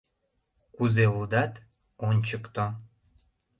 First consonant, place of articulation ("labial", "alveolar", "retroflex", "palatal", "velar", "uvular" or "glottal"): velar